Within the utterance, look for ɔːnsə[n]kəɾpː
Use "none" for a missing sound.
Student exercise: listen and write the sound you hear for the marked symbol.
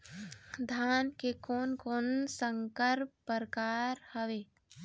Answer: ŋ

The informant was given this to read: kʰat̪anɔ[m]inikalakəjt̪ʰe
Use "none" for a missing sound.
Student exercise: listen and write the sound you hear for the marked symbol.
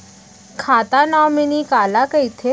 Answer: m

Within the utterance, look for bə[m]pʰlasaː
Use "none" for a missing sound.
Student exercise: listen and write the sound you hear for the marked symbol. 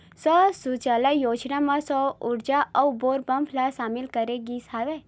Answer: m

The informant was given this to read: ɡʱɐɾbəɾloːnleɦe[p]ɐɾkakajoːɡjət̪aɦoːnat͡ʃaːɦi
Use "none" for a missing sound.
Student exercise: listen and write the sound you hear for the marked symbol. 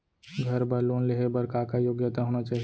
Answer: b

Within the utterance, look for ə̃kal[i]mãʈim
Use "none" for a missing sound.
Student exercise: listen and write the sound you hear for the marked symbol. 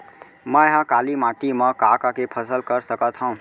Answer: i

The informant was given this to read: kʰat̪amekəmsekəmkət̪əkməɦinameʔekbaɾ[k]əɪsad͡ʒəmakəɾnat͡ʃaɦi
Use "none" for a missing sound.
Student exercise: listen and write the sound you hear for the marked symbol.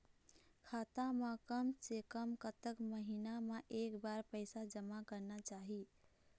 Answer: p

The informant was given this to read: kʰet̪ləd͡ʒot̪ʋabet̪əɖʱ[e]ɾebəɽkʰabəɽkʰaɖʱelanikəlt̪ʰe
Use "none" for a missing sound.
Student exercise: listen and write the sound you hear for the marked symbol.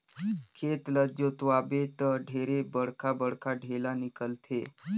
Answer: e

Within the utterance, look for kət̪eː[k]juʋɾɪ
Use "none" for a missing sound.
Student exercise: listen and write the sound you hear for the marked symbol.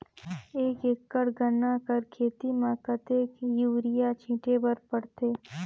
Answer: k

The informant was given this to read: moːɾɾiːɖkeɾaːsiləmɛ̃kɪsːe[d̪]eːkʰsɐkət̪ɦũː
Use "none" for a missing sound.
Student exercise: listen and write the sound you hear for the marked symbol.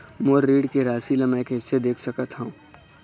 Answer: d̪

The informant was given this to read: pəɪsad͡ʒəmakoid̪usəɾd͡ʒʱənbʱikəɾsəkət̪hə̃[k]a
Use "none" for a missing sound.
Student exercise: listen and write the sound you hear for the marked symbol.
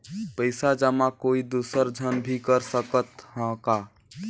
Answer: k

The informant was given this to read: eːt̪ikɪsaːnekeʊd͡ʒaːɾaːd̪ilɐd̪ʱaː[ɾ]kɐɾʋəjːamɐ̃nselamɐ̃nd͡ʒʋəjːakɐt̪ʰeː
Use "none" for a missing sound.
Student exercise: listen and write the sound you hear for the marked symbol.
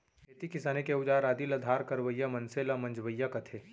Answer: ɾ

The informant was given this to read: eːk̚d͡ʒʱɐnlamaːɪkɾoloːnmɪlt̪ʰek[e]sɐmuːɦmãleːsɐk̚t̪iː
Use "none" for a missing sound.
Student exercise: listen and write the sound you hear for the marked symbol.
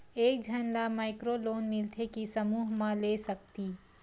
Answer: i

